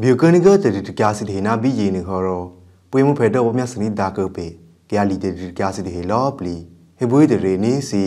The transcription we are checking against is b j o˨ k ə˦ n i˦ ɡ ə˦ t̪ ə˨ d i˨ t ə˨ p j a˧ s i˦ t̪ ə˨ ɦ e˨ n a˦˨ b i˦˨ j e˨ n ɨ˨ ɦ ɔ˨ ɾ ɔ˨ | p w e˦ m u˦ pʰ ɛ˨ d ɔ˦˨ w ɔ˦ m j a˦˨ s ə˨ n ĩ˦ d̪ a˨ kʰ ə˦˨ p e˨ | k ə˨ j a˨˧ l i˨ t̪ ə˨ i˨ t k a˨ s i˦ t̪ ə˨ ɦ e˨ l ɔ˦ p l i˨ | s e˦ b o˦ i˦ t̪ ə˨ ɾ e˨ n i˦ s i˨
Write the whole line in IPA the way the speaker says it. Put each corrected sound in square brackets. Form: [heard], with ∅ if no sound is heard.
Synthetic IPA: b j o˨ k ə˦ n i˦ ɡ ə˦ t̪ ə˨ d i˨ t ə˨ [k] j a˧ s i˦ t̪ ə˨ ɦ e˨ n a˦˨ b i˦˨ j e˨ n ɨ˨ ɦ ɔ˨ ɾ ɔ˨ | p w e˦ m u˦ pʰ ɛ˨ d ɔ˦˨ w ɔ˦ m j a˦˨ s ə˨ n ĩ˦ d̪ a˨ [k] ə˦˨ p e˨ | k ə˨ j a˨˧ l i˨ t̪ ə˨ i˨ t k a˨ s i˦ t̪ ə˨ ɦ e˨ l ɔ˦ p l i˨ | [h] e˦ b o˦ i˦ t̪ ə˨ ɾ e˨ n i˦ s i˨